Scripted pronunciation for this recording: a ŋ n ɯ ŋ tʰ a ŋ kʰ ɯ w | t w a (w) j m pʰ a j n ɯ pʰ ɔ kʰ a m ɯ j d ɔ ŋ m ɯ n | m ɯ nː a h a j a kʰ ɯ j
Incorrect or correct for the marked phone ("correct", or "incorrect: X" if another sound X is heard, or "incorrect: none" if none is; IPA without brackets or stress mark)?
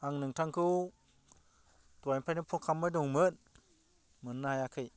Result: incorrect: none